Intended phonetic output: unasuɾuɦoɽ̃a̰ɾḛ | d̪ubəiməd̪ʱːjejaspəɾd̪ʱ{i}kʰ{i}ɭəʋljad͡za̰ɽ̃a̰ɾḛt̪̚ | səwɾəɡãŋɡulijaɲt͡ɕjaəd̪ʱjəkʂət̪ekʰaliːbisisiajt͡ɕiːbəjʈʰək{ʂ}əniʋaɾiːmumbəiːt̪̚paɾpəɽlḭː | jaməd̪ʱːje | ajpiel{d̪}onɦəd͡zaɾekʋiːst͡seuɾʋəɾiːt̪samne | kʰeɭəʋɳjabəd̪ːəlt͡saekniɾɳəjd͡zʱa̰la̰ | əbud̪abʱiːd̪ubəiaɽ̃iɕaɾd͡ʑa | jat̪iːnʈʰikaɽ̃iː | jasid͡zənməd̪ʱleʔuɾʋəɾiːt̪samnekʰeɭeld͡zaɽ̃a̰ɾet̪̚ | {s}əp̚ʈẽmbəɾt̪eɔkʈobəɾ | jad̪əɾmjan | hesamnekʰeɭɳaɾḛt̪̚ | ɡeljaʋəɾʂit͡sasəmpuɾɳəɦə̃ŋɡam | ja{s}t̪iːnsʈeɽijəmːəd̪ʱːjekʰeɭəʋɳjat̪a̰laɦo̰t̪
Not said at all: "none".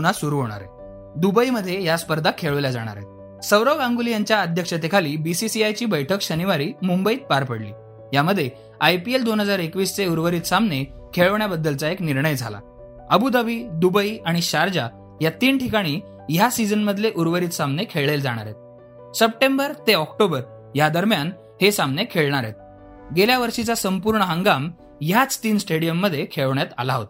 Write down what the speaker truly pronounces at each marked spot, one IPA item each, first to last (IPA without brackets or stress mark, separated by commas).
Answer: a, e, ɕ, d̪, s, t͡s